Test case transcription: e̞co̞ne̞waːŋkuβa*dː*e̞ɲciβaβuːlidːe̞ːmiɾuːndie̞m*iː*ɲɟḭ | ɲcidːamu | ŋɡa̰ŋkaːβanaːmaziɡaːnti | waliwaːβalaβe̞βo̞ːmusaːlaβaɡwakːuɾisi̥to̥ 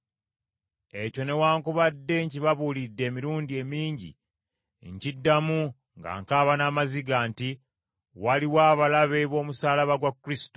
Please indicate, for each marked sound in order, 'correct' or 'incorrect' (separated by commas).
correct, correct